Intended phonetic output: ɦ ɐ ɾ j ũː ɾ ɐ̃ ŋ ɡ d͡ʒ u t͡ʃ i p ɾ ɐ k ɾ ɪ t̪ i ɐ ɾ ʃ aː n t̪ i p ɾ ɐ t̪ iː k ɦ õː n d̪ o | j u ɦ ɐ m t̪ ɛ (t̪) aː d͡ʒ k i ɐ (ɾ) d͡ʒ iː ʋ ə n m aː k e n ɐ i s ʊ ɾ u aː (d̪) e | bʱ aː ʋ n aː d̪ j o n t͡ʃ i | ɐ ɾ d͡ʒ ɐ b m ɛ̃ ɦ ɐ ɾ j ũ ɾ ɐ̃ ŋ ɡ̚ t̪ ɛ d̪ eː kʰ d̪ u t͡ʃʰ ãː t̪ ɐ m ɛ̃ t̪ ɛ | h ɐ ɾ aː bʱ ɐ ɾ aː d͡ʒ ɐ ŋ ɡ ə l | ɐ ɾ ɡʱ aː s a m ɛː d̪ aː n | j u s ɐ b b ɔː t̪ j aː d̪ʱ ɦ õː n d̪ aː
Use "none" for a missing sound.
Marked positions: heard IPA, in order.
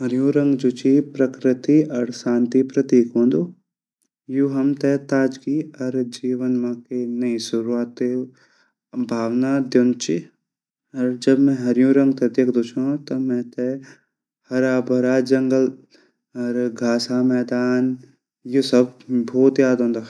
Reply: t̪, ɾ, t̪

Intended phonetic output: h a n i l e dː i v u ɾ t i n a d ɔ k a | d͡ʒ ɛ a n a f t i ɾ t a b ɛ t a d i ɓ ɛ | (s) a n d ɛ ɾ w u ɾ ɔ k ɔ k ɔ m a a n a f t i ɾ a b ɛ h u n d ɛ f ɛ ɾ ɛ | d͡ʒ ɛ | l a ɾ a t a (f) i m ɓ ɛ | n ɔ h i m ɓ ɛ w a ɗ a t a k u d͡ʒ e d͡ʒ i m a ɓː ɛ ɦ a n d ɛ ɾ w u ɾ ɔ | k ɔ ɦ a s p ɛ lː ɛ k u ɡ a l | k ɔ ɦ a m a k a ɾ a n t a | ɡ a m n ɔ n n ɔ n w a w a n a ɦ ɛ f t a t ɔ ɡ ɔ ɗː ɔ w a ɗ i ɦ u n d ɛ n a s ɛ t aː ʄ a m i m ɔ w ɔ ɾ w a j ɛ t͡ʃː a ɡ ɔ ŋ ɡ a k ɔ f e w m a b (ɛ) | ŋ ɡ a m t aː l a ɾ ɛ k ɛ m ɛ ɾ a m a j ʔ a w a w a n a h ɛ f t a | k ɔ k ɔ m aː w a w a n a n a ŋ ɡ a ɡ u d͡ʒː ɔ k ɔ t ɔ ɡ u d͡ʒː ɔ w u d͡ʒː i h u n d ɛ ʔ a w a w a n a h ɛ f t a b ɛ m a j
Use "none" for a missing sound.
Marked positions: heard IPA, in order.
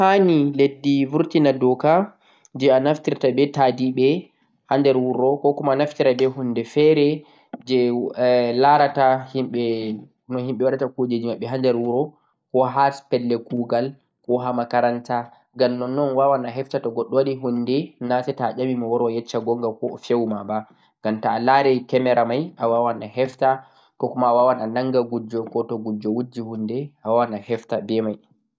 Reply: h, h, a

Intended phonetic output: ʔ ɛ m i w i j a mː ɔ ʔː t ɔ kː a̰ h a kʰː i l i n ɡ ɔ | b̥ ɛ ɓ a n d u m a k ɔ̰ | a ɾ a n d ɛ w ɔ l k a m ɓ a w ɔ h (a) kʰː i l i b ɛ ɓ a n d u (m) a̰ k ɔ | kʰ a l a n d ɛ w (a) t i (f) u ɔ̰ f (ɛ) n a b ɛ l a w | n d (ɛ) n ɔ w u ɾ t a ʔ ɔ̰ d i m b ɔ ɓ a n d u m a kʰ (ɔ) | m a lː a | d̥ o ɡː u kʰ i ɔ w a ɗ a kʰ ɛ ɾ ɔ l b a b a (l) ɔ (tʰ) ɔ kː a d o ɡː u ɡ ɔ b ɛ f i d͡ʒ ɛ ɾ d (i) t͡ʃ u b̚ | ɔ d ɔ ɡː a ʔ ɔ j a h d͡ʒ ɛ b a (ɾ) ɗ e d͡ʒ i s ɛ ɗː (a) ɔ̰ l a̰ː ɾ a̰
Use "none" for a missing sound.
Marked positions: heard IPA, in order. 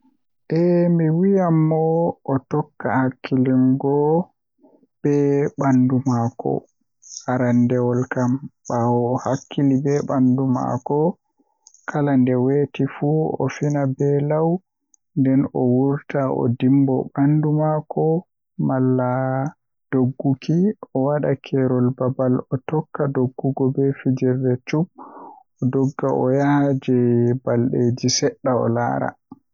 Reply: a, m, e, f, i, ɛ, ɔ, l, t, ɛ, l, a

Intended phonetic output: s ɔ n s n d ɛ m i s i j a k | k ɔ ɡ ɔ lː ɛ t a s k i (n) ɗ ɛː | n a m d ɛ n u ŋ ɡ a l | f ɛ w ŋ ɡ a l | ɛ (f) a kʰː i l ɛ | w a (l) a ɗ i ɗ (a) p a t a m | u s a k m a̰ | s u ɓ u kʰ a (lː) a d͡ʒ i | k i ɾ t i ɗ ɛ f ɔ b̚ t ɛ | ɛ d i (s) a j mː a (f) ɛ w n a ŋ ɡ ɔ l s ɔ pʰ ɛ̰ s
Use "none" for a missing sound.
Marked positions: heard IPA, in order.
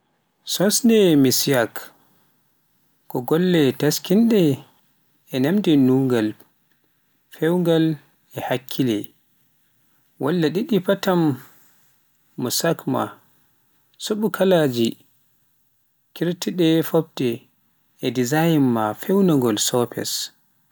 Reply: n, h, lː, i, l, z, f

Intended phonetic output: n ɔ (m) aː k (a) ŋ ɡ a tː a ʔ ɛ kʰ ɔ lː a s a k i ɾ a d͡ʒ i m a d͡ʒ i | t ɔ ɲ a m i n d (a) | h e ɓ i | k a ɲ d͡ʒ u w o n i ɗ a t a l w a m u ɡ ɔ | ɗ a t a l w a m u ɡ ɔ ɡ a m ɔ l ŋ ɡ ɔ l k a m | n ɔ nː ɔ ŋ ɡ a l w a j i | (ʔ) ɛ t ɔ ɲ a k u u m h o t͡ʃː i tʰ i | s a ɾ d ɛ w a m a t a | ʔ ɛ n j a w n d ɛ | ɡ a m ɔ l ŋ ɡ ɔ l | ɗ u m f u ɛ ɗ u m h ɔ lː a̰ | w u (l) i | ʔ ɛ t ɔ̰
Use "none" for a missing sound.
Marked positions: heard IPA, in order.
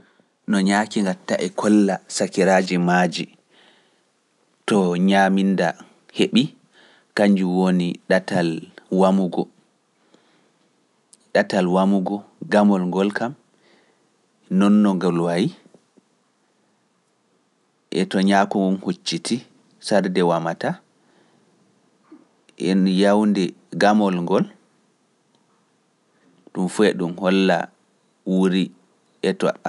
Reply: ɲ, i, a, ʔ, ɾ

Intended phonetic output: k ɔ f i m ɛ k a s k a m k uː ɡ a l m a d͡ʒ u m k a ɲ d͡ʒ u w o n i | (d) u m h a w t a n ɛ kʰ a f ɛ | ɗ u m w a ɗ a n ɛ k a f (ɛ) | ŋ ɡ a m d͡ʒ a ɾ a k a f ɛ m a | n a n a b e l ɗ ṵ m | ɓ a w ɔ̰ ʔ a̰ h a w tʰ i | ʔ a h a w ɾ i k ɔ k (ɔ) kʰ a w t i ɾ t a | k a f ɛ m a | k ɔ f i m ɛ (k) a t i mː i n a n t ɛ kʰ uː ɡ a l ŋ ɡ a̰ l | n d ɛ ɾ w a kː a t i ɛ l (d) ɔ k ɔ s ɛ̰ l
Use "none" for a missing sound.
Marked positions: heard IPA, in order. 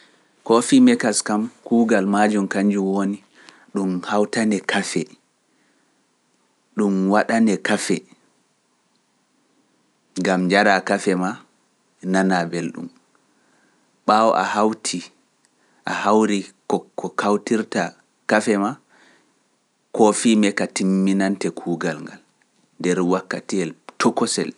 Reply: ɗ, ɛ, ɔ, k, t

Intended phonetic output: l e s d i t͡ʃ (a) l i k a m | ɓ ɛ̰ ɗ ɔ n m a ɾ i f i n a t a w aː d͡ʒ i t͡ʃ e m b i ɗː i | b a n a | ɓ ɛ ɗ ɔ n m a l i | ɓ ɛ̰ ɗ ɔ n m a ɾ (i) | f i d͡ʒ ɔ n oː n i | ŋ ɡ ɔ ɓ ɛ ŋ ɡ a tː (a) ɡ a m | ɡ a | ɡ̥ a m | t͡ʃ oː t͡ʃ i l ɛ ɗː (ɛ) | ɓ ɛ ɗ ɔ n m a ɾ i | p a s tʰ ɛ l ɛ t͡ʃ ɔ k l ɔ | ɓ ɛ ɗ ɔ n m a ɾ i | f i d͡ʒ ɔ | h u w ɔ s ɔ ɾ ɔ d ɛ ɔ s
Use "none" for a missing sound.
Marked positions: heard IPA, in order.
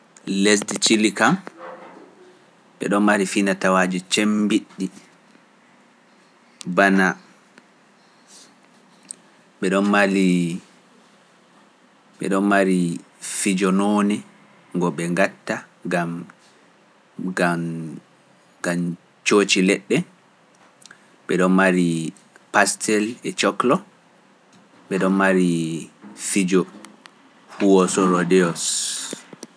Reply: i, i, a, ɛ

